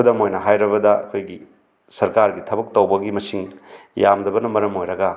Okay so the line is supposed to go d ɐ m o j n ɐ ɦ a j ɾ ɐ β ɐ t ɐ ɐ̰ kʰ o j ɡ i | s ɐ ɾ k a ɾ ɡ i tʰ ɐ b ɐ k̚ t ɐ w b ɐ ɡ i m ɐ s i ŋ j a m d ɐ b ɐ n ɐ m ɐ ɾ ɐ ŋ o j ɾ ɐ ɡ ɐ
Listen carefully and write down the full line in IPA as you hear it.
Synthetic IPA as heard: d ɐ m o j n ɐ ɦ a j ɾ ɐ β ɐ d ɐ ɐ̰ kʰ o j ɡ i | s ɐ ɾ k a ɾ ɡ i tʰ ɐ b ɐ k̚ t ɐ w b ɐ ɡ i m ɐ s i ŋ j a m d ɐ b ɐ n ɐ m ɐ ɾ ɐ m o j ɾ ɐ ɡ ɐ